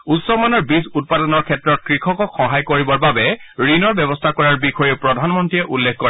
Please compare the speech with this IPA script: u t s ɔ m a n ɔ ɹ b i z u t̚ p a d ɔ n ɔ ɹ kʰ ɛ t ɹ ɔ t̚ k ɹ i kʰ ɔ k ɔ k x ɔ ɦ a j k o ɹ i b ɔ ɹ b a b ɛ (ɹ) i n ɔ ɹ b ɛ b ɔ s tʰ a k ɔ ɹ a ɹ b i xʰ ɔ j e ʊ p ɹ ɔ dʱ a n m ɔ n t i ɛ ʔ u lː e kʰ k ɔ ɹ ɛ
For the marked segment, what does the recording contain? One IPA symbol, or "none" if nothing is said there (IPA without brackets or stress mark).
ɹ